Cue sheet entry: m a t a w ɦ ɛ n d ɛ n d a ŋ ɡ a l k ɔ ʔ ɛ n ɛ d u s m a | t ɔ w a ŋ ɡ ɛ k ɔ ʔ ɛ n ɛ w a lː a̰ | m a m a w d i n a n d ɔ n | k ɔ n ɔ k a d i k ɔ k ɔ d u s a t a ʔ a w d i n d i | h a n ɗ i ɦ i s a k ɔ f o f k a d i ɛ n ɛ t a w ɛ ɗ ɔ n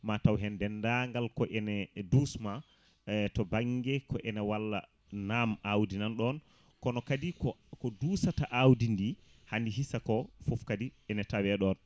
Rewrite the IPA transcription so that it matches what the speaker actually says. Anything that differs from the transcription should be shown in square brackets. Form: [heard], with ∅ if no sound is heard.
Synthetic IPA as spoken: m a t a w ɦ ɛ n d ɛ n d a ŋ ɡ a l k ɔ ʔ ɛ n ɛ d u s m a | t ɔ [b] a ŋ ɡ ɛ k ɔ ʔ ɛ n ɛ w a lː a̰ | [n] a m a w d i n a n [ɗ] ɔ n | k ɔ n ɔ k a d i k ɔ k ɔ d u s a t a ʔ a w d i n d i | h a n [d] i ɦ i s a k ɔ f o f k a d i ɛ n ɛ t a w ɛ ɗ ɔ n